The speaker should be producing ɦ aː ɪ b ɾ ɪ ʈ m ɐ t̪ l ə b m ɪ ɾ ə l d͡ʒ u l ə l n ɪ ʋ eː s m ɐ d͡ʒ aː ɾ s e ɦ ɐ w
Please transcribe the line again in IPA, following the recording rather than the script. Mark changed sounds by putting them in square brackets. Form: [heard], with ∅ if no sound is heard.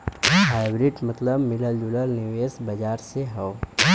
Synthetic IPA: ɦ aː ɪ b ɾ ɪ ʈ m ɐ t̪ l ə b m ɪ [l] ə l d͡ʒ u l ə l n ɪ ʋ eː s [b] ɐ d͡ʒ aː ɾ s e ɦ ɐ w